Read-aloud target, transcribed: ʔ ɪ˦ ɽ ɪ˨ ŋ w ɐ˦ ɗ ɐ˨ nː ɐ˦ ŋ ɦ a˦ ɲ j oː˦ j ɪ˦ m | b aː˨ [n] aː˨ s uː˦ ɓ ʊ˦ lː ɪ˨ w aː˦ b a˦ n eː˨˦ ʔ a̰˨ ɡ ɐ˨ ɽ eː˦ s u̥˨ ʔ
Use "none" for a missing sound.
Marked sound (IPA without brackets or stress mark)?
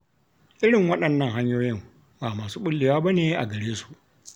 m